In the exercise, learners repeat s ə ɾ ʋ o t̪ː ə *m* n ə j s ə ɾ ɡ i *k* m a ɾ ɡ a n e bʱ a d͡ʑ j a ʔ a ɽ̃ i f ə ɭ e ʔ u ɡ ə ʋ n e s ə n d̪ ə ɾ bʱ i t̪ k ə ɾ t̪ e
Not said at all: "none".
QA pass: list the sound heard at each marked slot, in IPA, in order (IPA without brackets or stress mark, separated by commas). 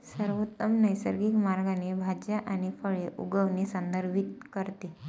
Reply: m, k